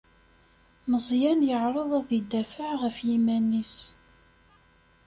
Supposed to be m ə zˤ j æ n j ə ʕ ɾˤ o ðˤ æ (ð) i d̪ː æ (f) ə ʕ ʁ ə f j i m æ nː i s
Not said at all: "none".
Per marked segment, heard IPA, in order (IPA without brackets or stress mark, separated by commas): ð, f